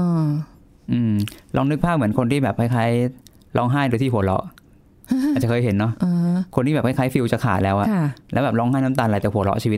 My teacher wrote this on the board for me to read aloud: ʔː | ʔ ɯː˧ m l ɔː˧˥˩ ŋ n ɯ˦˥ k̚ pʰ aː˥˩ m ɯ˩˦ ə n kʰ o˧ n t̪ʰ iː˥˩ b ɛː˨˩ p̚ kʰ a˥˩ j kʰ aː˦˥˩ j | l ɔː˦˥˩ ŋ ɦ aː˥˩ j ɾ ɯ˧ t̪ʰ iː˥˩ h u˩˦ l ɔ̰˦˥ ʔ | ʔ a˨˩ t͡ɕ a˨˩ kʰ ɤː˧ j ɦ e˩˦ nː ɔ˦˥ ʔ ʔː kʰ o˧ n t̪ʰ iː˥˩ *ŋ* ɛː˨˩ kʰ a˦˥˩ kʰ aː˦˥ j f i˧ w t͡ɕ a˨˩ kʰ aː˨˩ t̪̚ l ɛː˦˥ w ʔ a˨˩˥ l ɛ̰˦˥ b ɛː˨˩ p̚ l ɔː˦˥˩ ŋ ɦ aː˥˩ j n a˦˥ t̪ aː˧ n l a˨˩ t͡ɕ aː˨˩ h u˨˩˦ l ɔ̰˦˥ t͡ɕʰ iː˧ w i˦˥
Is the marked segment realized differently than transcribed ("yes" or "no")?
yes